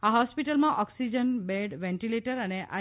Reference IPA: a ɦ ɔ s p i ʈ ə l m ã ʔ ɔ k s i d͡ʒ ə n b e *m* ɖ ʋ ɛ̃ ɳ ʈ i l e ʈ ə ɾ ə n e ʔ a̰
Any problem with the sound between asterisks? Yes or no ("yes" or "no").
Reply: yes